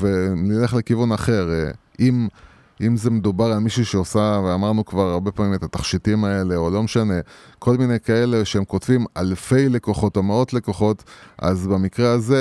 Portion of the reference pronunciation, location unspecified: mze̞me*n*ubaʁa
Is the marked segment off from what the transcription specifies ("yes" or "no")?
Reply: yes